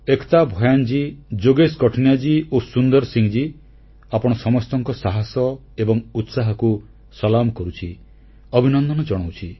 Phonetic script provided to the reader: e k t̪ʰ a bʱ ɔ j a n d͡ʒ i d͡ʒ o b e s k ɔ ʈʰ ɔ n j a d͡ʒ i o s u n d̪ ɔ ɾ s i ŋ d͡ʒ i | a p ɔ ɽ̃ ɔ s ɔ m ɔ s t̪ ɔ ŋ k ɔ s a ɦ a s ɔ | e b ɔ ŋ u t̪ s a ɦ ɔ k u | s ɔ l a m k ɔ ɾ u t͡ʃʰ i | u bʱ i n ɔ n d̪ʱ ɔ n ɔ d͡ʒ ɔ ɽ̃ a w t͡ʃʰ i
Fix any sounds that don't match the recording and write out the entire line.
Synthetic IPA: e k t̪ a bʱ ɔ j a n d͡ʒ i d͡ʒ o ɡ e s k ɔ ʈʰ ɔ n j a d͡ʒ i o s u n d̪ ɔ ɾ s i ŋ d͡ʒ i | a p ɔ ɽ̃ ɔ s ɔ m ɔ s t̪ ɔ ŋ k ɔ s a ɦ a s ɔ | e b ɔ ŋ u t̪ s a ɦ ɔ k u | s ɔ l a m k ɔ ɾ u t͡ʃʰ i | ɔ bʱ i n ɔ n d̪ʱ ɔ n ɔ d͡ʒ ɔ ɽ̃ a w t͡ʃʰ i